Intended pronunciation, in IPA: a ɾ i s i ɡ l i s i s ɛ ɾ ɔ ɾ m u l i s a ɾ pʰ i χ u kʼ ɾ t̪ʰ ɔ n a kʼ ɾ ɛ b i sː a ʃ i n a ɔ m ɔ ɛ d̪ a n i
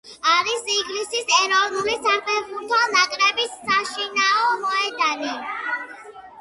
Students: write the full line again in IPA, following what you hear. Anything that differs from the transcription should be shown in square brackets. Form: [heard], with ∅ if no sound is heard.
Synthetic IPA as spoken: a ɾ i s i ɡ l i s i s ɛ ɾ ɔ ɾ [n] u l i s a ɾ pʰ [ɛ] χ u [∅] ɾ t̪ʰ ɔ n a kʼ ɾ ɛ b i sː a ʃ i n a ɔ m ɔ ɛ d̪ a n i